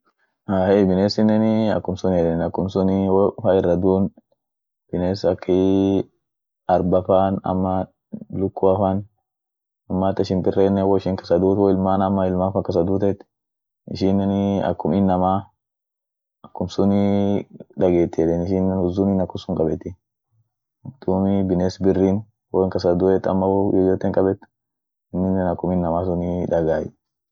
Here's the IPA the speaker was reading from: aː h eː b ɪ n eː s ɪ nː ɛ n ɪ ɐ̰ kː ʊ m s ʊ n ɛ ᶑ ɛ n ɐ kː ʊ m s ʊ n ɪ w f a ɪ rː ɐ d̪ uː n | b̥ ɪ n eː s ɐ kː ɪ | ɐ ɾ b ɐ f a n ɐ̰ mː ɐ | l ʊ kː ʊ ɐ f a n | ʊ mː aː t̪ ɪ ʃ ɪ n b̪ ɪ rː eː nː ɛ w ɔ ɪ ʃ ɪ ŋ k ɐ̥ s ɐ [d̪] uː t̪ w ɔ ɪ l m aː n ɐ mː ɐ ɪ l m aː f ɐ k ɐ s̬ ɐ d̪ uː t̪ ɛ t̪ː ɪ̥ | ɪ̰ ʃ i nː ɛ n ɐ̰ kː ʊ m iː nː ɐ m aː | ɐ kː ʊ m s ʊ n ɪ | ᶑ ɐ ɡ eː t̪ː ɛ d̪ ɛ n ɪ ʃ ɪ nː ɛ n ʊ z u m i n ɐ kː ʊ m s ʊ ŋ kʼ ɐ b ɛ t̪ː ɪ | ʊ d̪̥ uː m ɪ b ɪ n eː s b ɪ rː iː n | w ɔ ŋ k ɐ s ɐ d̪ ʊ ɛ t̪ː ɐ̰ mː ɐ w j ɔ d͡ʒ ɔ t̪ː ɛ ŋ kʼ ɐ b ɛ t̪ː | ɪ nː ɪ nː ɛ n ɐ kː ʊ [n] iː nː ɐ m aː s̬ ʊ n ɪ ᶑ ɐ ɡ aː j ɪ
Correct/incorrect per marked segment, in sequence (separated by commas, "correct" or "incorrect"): correct, incorrect